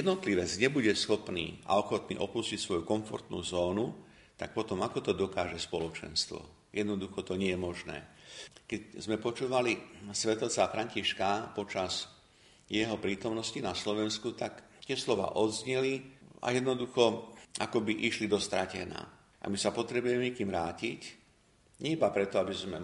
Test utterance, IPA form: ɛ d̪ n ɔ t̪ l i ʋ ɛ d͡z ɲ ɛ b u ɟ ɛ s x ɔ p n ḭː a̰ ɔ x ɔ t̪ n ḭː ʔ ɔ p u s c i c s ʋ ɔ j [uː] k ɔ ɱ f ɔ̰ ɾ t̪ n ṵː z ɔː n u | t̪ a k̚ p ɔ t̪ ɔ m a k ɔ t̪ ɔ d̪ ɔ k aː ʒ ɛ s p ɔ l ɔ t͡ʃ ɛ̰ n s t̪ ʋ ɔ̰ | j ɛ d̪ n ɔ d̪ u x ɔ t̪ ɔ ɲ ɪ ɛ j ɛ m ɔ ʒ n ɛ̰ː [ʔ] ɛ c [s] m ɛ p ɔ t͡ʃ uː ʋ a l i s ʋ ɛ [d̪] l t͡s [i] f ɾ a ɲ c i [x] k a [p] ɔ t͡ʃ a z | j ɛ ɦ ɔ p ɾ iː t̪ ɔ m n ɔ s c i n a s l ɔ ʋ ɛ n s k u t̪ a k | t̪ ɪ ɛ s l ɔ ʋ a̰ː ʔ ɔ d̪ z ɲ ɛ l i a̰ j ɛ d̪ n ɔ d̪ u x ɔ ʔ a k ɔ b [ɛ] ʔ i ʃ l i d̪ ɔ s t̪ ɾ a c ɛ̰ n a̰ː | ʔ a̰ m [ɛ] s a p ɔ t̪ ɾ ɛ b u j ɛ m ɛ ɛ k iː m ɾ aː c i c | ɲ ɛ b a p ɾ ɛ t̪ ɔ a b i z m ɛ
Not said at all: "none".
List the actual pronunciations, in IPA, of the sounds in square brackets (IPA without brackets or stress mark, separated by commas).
u, k, z, t̪, a, ʃ, p, i, i